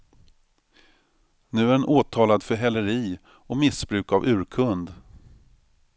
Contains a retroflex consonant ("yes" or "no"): no